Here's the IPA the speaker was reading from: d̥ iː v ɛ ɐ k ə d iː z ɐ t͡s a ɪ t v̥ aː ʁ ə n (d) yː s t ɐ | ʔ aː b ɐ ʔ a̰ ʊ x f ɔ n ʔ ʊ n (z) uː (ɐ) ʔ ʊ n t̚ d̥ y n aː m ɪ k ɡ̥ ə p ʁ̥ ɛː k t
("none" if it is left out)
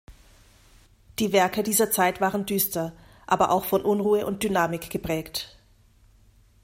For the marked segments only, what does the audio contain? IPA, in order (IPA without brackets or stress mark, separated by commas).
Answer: d, ʁ, ə